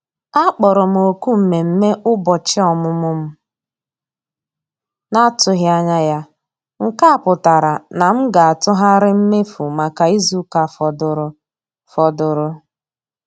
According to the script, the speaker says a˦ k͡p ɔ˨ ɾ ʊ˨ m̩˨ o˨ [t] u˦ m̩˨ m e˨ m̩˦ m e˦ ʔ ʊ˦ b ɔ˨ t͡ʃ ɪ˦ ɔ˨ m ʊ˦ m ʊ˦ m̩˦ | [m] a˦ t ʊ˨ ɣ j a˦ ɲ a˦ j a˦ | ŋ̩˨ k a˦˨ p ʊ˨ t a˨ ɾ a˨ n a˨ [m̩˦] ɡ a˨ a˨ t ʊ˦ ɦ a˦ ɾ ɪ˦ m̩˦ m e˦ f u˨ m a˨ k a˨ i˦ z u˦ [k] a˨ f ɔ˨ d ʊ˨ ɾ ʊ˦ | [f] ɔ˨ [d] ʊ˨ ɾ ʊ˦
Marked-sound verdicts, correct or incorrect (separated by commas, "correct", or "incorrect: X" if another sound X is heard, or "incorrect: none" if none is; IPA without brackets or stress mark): incorrect: k, incorrect: n, correct, correct, correct, correct